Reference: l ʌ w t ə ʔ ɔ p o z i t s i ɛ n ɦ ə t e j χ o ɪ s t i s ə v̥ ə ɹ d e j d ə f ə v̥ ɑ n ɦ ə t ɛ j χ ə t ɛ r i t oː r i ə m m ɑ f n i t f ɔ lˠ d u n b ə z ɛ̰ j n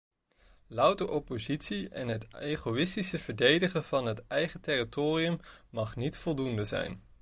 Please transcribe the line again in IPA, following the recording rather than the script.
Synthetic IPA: l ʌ w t ə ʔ ɔ p o z i t s i ɛ n ɦ ə t e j χ o ɪ s t i s ə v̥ ə ɹ d e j d ə χ ə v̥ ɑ n ɦ ə t ɛ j χ ə t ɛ r i t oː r i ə m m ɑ χ n i t f ɔ lˠ d u n d ə z ɛ̰ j n